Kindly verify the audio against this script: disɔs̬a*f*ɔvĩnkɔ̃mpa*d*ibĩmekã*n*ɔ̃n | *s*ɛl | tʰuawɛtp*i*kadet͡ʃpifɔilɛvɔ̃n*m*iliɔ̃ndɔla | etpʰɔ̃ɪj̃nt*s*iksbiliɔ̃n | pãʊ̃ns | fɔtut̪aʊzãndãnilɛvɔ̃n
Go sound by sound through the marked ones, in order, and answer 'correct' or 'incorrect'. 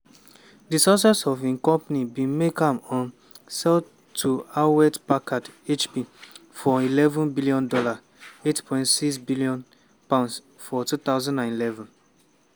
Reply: incorrect: s, incorrect: n, incorrect: m, correct, incorrect: a, incorrect: b, correct

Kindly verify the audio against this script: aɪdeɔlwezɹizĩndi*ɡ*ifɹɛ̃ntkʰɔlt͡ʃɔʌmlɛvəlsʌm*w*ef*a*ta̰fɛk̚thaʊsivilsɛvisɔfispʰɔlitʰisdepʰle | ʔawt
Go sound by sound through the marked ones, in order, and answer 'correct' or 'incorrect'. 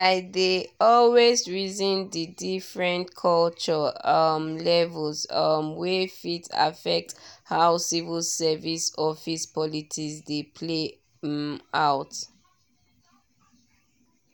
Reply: incorrect: d, correct, incorrect: i

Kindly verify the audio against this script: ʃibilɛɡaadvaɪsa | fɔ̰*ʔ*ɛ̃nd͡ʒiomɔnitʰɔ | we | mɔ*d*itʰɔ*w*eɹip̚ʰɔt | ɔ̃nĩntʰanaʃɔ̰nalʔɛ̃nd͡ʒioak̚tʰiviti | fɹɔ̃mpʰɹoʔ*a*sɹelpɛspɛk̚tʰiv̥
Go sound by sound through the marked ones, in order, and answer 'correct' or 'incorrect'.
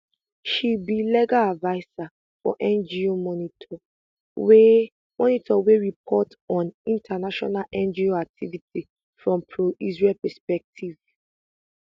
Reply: correct, incorrect: n, correct, incorrect: i

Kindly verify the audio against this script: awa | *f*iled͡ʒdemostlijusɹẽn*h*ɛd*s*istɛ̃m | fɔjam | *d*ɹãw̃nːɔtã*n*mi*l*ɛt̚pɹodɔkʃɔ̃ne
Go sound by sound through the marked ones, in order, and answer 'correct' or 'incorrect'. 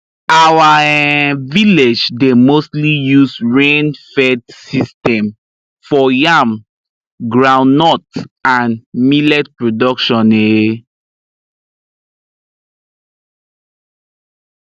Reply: incorrect: v, incorrect: f, correct, incorrect: ɡ, correct, correct

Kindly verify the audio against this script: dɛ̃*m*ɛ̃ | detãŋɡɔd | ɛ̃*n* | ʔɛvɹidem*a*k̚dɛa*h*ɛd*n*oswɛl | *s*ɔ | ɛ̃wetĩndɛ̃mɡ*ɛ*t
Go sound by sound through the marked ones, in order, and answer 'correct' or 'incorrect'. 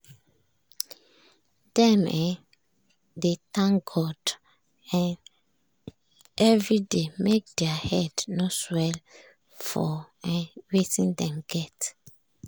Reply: correct, correct, incorrect: e, correct, correct, incorrect: f, correct

